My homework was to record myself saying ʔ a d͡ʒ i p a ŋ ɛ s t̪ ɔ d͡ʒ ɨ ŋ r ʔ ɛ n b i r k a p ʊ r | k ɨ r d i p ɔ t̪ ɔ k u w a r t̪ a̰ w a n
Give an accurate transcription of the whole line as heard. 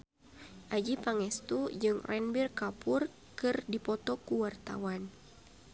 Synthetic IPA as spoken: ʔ a d͡ʒ i p a ŋ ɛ s t̪ u d͡ʒ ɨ ŋ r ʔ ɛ n b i r k a p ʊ r | k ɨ r d i p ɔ t̪ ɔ k u w a r t̪ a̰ w a n